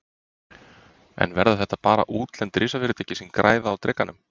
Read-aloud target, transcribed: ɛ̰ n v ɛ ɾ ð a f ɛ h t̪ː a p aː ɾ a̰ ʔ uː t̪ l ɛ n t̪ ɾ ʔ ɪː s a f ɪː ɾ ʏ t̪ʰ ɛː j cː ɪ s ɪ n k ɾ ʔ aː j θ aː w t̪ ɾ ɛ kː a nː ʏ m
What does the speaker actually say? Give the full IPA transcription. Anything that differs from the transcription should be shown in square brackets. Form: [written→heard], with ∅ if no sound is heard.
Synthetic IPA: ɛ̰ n v ɛ ɾ ð a [f→θ] ɛ h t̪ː a p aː ɾ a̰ ʔ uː t̪ l ɛ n t̪ ɾ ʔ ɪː s a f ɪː ɾ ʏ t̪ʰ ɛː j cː ɪ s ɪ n k ɾ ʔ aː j [θ→ð] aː w t̪ ɾ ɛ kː a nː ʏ m